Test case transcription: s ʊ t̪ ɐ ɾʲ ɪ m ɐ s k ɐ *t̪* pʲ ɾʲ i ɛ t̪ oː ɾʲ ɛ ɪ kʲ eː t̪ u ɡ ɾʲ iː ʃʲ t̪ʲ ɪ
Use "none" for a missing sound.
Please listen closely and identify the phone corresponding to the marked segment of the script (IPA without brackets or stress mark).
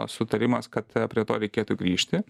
t̪